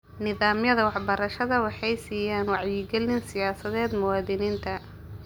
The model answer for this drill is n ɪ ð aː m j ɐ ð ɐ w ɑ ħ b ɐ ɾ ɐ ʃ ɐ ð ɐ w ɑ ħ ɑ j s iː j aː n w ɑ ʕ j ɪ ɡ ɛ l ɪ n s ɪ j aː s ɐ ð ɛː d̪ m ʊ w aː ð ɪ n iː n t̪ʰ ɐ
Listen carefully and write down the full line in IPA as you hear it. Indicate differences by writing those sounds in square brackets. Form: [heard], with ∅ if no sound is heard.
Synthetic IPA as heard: n ɪ ð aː m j ɐ ð ɐ w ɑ ħ b ɐ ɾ ɐ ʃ ɐ ð ɐ w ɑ ħ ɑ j s iː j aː n w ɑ ʕ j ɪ ɡ ɛ l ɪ n s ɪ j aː s ɐ ð ɛː d̪ m ʊ w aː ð ɪ n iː n t̪ʰ ɐ